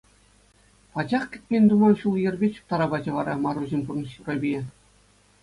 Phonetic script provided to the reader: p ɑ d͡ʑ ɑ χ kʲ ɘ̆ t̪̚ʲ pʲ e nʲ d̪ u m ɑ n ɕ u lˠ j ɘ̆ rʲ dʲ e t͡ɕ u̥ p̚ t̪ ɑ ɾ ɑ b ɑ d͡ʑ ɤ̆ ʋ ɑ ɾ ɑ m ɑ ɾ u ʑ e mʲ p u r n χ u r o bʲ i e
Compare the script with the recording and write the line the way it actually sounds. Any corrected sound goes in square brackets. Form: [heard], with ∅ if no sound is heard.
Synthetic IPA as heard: p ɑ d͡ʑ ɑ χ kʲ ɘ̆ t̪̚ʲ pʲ e nʲ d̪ u m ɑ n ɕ u lˠ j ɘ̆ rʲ [bʲ] e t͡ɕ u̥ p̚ t̪ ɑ ɾ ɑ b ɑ d͡ʑ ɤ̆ ʋ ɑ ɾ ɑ m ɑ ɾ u ʑ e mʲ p u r n [ɕ] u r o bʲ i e